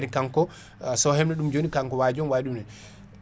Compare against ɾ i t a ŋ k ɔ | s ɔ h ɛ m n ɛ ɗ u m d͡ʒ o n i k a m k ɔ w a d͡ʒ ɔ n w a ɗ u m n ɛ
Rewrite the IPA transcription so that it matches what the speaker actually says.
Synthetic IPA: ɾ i k a ŋ k ɔ | s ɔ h ɛ m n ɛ ɗ u m d͡ʒ o n i k a ŋ k ɔ w a d͡ʒ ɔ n w a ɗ u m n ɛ